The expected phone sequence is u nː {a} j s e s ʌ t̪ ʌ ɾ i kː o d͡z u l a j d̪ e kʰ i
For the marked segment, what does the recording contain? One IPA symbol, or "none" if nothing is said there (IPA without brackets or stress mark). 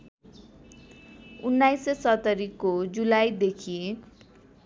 a